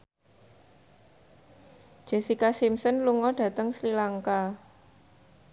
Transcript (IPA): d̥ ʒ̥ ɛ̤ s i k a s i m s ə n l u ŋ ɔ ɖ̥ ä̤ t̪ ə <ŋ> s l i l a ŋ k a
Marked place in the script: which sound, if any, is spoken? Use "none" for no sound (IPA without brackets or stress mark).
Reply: ŋ